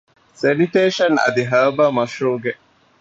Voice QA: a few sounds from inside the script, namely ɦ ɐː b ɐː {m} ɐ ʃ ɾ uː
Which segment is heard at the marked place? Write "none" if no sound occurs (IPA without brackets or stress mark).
m